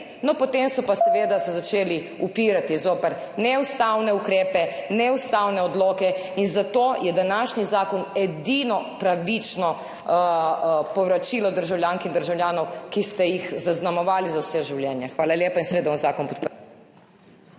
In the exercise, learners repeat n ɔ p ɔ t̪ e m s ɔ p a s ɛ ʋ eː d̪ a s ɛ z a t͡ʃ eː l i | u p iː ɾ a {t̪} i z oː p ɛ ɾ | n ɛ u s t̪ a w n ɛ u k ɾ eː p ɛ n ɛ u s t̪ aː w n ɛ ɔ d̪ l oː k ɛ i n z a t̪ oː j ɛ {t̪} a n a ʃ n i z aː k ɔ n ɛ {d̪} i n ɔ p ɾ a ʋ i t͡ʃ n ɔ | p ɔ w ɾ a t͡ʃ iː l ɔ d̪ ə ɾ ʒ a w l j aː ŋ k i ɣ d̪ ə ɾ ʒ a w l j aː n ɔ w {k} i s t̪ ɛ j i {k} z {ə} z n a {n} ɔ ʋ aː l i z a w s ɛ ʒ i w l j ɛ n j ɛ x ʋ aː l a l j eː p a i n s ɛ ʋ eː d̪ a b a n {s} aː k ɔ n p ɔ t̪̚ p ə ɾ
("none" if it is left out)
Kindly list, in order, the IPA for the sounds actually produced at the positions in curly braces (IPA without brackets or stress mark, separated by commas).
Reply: t̪, d̪, d̪, k, x, a, m, z